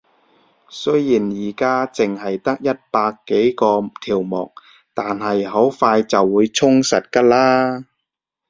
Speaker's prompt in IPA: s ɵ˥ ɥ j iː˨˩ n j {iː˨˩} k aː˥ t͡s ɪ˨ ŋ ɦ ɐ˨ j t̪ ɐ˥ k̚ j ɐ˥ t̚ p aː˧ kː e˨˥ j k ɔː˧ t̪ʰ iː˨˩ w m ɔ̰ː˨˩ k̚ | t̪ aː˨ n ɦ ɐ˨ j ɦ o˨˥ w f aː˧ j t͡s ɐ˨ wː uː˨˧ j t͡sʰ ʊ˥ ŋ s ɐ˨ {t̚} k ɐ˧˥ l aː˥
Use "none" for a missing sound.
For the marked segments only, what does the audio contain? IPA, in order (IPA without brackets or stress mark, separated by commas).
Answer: iː˨˩, t̚